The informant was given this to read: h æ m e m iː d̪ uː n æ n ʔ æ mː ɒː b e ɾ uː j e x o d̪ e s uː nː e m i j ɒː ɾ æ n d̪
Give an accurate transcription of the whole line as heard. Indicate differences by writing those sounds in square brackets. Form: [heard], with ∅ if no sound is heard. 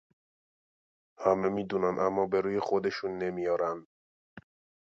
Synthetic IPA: h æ m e m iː d̪ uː n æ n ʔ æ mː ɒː b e ɾ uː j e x o d̪ e [ʃ] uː nː e m i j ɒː ɾ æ n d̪